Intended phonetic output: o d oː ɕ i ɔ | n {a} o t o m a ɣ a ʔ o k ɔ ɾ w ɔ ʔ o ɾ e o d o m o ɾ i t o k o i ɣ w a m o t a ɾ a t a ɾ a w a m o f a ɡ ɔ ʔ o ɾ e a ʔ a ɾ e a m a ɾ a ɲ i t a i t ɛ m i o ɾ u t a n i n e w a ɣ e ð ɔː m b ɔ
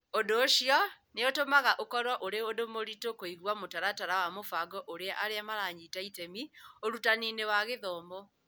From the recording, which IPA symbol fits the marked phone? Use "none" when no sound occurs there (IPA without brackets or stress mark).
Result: e